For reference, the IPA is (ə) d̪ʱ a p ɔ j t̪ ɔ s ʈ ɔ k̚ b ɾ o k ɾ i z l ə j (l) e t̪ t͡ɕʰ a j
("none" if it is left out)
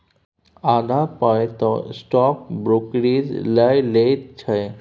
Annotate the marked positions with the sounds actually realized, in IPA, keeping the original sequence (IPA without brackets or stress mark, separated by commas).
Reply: a, l